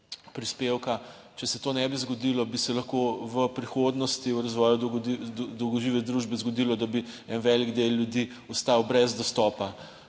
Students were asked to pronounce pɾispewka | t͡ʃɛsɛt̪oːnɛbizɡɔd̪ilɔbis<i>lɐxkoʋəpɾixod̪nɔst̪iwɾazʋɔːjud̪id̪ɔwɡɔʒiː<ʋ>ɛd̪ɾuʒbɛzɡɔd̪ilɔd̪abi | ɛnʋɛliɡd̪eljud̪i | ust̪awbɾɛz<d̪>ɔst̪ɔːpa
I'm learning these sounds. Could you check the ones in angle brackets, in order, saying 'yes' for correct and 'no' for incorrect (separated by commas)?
no, yes, yes